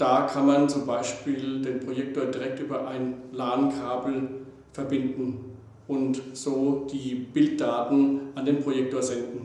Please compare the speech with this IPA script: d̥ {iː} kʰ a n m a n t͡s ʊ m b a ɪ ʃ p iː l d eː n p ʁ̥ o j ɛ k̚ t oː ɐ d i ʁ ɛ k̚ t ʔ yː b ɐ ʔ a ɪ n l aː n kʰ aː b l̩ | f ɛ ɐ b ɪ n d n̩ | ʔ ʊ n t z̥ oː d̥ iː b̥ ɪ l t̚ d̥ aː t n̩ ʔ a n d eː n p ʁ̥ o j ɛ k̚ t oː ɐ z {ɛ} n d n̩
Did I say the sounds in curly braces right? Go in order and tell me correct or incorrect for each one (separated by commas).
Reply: incorrect, correct